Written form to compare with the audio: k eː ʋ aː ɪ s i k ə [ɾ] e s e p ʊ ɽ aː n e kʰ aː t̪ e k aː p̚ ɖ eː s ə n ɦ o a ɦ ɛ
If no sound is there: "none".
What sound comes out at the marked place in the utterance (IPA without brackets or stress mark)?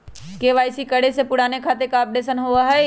ɽ